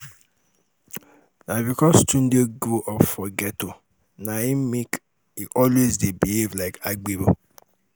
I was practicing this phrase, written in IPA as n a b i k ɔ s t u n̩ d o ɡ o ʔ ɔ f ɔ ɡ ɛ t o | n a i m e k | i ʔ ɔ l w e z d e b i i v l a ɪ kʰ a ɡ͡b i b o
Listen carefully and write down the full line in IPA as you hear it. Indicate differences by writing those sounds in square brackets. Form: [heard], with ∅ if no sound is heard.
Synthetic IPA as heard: n a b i k ɔ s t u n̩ d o ɡ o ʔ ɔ f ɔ ɡ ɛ t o | n a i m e k | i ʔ ɔ l w e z d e b i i v l a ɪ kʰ a ɡ͡b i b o